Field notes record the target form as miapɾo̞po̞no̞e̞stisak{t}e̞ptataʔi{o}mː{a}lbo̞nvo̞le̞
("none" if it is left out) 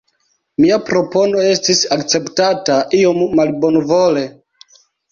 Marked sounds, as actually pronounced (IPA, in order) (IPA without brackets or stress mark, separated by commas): t͡s, o, a